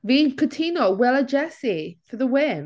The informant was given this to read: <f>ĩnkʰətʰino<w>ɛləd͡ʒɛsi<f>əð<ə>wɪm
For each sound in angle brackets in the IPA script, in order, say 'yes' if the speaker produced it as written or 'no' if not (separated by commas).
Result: no, yes, yes, yes